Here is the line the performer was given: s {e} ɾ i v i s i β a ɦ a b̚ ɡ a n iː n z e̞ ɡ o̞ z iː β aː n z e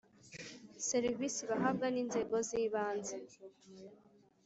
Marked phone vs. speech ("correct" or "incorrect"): correct